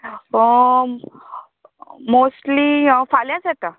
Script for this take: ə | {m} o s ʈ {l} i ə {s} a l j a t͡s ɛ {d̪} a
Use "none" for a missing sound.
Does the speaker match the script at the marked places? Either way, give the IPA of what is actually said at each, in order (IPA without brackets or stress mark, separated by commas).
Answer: m, l, f, t̪